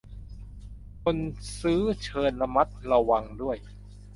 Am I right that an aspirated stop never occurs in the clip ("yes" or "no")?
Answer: no